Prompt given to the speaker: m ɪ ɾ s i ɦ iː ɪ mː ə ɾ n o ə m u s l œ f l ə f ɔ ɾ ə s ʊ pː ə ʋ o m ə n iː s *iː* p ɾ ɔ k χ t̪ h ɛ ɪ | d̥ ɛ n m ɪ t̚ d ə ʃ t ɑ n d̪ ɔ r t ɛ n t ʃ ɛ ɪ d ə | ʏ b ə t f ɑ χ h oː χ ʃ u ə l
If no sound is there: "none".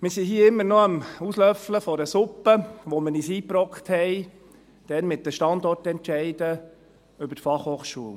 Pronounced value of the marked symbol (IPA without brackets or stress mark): iː